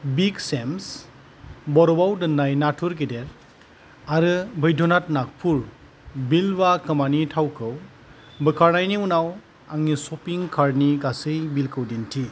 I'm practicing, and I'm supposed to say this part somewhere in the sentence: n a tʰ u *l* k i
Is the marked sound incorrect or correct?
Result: incorrect: ɾ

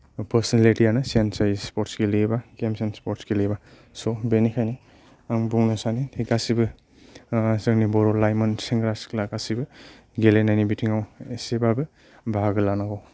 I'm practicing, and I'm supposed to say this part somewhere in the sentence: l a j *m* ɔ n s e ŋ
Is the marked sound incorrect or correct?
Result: correct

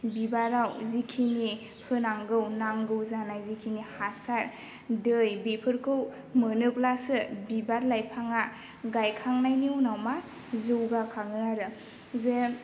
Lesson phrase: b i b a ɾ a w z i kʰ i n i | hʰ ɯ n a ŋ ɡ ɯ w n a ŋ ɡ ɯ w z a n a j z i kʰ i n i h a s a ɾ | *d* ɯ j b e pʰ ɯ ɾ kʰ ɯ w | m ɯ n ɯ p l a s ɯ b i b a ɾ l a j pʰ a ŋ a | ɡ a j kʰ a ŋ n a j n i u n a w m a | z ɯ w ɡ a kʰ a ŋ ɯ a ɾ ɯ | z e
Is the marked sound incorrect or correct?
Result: correct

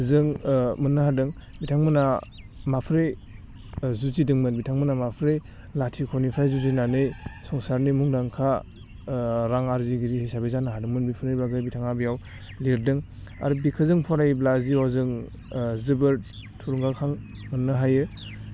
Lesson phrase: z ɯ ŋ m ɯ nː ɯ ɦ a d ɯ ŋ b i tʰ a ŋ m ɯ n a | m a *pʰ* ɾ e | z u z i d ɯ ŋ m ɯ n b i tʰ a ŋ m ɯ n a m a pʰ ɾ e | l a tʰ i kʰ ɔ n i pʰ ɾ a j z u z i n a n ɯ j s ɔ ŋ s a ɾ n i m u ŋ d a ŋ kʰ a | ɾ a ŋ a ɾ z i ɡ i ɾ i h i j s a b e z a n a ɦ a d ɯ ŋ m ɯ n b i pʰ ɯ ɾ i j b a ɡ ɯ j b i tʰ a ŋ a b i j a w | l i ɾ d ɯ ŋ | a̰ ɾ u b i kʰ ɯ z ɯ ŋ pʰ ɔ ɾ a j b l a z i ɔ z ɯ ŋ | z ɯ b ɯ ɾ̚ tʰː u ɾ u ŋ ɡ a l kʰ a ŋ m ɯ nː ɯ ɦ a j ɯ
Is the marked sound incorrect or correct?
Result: correct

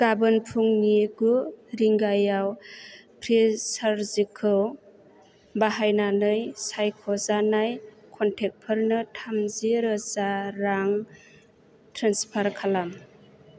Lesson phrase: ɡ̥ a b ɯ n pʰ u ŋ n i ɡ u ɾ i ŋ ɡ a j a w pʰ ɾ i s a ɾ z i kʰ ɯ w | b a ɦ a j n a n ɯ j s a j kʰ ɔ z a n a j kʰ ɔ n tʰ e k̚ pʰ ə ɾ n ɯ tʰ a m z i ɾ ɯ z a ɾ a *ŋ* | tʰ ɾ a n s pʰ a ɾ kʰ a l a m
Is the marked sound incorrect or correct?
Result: correct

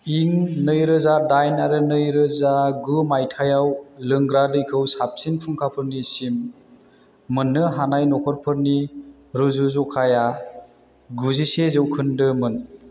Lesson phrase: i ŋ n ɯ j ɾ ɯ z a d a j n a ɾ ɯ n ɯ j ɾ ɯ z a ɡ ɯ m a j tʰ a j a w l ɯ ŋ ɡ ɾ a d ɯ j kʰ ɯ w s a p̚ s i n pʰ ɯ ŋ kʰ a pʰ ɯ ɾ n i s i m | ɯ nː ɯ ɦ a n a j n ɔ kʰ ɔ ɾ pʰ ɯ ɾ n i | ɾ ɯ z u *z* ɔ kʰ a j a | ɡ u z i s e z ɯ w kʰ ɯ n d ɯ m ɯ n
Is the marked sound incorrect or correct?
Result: correct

